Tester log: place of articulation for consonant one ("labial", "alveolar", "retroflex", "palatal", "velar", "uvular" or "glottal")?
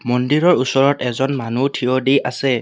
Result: labial